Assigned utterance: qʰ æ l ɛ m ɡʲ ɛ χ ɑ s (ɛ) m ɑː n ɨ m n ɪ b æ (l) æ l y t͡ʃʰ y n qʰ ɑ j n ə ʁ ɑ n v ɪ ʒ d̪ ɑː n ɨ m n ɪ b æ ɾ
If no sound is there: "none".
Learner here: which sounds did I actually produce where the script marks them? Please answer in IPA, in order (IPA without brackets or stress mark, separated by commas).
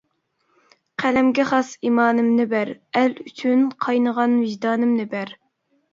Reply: i, ɾ